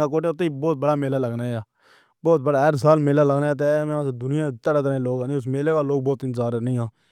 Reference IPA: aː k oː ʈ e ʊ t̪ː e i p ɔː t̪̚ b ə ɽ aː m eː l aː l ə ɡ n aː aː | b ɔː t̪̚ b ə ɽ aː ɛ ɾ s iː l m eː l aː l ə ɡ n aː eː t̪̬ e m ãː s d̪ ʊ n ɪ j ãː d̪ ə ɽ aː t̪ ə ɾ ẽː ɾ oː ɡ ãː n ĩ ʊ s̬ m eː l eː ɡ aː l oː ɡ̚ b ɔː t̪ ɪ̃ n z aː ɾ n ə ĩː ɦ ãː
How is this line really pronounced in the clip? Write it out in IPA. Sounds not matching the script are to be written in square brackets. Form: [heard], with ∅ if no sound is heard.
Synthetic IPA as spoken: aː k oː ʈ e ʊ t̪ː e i [b] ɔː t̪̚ b ə ɽ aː m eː l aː l ə ɡ n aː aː | b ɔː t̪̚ b ə ɽ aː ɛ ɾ s [aː] l m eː l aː l ə ɡ n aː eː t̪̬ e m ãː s d̪ ʊ n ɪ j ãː [t̪] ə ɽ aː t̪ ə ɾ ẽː [l] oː ɡ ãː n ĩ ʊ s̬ m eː l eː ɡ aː l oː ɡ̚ b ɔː t̪ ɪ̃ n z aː ɾ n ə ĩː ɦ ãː